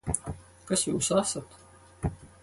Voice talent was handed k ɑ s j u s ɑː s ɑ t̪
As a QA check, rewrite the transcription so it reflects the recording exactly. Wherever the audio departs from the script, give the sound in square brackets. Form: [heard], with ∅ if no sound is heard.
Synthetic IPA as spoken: k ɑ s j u s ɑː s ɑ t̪